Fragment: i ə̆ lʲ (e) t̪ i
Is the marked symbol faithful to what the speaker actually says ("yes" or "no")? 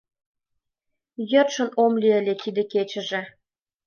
yes